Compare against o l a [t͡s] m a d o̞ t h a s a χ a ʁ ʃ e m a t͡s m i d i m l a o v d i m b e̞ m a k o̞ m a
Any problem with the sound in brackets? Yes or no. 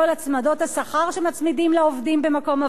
no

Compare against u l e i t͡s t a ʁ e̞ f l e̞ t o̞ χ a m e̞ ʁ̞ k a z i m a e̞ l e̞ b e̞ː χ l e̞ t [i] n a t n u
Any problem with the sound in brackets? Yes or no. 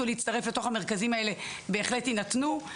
no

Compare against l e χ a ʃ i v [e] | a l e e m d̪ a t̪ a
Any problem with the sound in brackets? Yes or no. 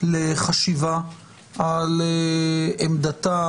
yes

